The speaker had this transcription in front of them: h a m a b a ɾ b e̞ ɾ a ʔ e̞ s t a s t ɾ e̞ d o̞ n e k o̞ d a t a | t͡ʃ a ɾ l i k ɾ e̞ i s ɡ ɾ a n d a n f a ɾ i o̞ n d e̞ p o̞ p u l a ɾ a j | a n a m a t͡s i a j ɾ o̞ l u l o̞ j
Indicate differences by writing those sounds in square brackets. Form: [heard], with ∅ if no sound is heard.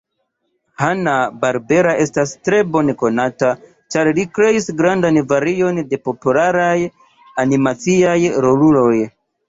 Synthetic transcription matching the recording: h a [n] a b a ɾ b e̞ ɾ a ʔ e̞ s t a s t ɾ e̞ [b] o̞ n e k o̞ [n] a t a | t͡ʃ a ɾ l i k ɾ e̞ i s ɡ ɾ a n d a n [v] a ɾ i o̞ n d e̞ p o̞ p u l a ɾ a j | a n [i] m a t͡s i a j ɾ o̞ l u l o̞ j